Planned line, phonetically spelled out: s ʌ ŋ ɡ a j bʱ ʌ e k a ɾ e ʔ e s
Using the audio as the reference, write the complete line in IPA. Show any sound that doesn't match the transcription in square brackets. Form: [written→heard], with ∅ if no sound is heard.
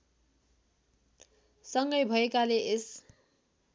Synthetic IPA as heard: s ʌ ŋ ɡ [a→ʌ] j bʱ ʌ e k a [ɾ→l] e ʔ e s